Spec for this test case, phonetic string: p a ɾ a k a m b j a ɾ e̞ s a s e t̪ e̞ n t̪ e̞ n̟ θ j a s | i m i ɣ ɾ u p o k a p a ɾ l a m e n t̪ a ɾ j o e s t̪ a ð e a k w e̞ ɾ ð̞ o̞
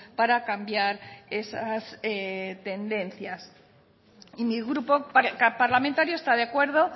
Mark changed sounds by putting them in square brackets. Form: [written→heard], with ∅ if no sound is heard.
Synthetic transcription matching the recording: p a ɾ a k a m b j a ɾ e̞ s a s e t̪ e̞ n [t̪→d̪] e̞ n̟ θ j a s | i m i ɣ ɾ u p o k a p a ɾ l a m e n t̪ a ɾ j o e s t̪ a ð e a k w e̞ ɾ ð̞ o̞